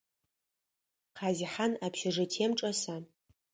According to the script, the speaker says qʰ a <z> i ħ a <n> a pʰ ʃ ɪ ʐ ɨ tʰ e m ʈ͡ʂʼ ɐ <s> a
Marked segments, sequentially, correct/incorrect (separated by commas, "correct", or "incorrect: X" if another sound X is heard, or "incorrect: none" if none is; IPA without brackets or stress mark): correct, correct, correct